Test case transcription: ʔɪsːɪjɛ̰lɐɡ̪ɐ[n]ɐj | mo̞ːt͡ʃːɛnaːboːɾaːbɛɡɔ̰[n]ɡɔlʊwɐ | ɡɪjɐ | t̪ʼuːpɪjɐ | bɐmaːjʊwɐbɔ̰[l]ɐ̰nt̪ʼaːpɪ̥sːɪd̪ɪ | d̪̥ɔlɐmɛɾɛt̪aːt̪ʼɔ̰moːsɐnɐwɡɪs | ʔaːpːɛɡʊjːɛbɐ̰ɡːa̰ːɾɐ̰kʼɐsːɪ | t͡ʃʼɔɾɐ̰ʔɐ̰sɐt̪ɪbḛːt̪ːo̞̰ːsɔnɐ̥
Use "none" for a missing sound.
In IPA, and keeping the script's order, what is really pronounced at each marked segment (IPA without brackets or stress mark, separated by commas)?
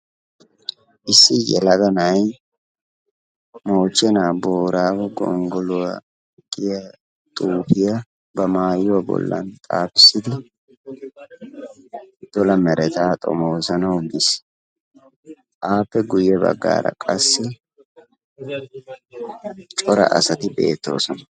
n, ŋ, lː